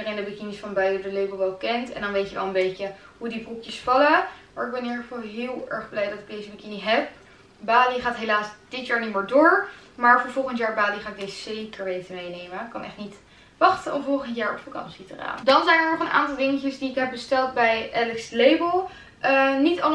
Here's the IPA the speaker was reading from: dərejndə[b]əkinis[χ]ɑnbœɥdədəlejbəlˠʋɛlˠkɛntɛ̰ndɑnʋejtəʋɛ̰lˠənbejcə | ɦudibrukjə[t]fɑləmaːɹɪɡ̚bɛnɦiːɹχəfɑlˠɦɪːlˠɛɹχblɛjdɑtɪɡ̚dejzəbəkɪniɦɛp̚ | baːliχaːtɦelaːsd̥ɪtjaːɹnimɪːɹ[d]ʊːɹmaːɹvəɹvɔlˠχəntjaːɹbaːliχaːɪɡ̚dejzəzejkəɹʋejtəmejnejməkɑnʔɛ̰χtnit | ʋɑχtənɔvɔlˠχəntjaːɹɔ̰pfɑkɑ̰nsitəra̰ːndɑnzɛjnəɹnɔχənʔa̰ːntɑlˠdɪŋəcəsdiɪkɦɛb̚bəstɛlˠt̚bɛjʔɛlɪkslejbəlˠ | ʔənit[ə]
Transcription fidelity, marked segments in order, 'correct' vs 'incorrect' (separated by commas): correct, incorrect, incorrect, correct, incorrect